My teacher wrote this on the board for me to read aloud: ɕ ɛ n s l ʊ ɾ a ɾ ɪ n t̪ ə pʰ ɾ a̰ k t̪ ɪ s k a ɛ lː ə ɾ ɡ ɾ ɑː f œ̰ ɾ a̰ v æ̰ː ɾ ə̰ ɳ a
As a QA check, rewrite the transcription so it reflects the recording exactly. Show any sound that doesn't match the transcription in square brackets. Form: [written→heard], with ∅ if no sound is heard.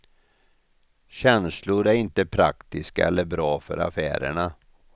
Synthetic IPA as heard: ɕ ɛ n s l ʊ ɾ [a→æ] ɾ ɪ n t̪ ə pʰ ɾ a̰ k t̪ ɪ s k a ɛ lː ə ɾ [ɡ→b] ɾ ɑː f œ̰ ɾ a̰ [v→f] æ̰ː ɾ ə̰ ɳ a